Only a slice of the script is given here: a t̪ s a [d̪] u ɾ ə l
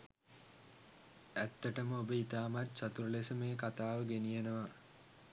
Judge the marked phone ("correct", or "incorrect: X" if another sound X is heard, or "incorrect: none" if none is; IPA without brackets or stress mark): incorrect: t̪